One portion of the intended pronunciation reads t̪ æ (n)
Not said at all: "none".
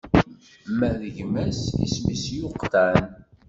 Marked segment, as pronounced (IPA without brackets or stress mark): n